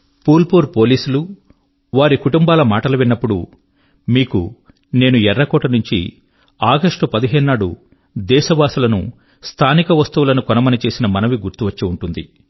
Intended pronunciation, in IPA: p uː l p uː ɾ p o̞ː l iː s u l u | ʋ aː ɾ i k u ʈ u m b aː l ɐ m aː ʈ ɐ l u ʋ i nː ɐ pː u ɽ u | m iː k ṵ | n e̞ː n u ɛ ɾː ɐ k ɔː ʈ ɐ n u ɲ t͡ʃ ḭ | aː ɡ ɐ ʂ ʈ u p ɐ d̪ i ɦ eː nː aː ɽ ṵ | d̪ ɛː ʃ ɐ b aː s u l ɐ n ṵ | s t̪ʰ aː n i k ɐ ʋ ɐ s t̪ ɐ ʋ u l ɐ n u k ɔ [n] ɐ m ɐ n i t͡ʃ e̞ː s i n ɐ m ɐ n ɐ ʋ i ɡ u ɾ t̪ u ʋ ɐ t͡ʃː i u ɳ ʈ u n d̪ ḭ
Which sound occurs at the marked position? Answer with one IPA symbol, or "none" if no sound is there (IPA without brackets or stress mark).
n